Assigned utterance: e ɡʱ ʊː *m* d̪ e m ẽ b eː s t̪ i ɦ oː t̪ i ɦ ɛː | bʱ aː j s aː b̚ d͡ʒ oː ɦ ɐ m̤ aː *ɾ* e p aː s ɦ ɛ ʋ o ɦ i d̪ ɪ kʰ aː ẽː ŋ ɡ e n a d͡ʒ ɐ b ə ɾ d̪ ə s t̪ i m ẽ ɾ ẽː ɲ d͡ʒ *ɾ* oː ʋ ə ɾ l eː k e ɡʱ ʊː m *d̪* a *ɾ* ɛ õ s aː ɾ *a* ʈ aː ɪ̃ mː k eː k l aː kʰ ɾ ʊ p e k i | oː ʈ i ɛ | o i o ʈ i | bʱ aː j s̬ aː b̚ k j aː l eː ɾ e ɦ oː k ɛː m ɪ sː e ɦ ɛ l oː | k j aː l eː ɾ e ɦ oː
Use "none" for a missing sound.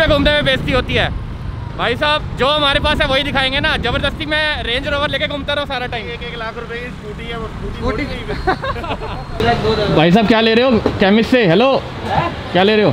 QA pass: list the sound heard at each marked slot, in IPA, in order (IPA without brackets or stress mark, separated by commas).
m, ɾ, ɾ, t̪, ɾ, a